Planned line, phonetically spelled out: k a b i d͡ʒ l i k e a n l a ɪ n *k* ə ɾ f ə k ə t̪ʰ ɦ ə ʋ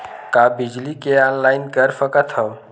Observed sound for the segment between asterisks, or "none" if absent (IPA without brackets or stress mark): k